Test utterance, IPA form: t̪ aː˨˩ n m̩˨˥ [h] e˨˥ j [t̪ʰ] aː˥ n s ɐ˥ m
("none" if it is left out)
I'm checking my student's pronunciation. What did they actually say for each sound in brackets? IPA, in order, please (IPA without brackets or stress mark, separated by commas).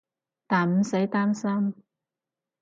s, t̪